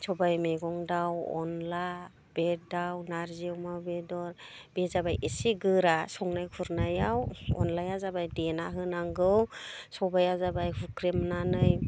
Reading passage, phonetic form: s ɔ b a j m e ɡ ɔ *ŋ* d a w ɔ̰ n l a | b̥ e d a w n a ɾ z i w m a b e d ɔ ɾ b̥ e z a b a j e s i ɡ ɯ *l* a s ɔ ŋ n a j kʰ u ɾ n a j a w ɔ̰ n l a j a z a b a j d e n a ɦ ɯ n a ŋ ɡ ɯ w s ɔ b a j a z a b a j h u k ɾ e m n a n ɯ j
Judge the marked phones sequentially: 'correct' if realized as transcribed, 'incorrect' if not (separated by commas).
correct, incorrect